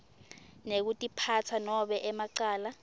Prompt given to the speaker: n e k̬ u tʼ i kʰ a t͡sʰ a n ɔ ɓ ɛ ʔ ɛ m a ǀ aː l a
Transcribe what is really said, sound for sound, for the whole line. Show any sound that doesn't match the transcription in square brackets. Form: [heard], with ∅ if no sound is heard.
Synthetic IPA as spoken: n e k̬ u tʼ i [pʰ] a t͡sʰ a n ɔ ɓ ɛ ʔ ɛ m a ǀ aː l a